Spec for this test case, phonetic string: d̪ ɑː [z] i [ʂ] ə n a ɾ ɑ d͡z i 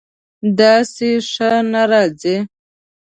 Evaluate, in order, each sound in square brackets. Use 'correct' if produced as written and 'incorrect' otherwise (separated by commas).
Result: incorrect, correct